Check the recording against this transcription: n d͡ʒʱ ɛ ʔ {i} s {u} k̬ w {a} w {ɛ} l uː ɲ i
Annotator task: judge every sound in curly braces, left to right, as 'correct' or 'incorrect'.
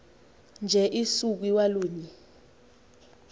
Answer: correct, correct, incorrect: i, incorrect: a

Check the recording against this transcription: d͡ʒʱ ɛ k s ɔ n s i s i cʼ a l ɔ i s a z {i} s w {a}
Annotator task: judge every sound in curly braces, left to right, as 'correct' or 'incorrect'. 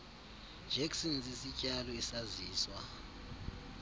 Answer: incorrect: iː, correct

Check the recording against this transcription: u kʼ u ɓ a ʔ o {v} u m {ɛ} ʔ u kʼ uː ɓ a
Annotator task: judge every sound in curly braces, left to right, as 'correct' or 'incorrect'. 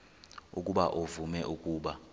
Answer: correct, correct

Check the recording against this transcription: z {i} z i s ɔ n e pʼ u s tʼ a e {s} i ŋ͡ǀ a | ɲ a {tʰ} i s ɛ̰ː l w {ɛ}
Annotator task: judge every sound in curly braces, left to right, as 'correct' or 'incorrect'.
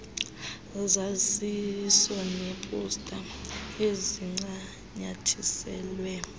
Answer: incorrect: a, incorrect: z, correct, correct

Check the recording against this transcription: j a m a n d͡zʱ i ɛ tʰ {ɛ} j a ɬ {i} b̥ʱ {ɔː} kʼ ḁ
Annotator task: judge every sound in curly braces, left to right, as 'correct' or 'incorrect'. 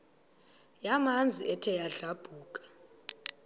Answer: correct, incorrect: a, incorrect: uː

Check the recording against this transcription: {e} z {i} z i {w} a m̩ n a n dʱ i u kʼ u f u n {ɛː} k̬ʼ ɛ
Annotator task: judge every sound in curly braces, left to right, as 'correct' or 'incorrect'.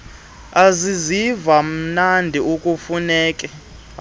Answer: incorrect: a, correct, incorrect: v, correct

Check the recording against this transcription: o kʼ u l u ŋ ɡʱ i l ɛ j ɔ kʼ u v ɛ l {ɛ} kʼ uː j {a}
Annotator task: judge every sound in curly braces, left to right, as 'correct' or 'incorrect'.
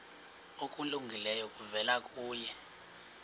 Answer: incorrect: a, incorrect: ɛ

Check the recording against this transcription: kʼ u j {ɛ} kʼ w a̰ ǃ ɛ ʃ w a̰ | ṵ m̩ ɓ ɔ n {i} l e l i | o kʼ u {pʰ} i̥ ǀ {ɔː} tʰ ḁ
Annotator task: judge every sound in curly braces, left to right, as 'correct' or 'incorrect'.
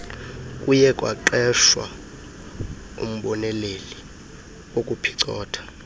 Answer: correct, incorrect: ɛ, correct, correct

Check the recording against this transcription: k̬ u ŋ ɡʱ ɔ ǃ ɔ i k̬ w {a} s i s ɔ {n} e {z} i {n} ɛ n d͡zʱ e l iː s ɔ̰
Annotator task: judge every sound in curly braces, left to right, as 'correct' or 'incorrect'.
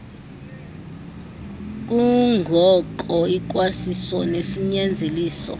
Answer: correct, correct, incorrect: s, incorrect: ɲ

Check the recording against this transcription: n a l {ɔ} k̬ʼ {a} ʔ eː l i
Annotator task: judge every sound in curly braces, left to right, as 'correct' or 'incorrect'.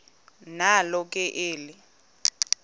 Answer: correct, incorrect: ɛ

